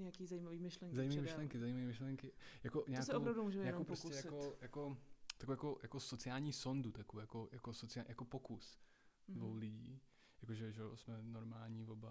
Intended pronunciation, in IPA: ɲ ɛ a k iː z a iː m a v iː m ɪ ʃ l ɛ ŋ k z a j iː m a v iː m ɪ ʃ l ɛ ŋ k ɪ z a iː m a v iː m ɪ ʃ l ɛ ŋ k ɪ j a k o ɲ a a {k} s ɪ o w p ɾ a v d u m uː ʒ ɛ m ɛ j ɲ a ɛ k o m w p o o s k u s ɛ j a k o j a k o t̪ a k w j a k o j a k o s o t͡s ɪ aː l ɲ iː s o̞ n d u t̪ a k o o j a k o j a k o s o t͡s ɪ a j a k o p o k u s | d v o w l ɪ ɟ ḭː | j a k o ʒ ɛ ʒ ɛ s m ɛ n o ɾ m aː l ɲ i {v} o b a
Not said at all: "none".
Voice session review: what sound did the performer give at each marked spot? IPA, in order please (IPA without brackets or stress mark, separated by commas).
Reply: k, v